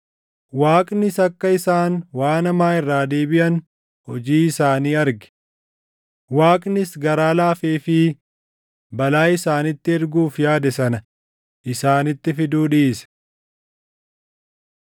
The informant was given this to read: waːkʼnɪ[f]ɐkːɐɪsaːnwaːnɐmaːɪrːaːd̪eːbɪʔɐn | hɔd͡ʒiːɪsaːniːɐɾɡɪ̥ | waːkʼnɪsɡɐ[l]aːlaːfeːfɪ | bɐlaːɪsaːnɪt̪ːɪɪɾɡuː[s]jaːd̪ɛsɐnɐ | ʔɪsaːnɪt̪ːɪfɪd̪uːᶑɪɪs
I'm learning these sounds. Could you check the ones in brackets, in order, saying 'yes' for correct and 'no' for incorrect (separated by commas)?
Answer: no, no, no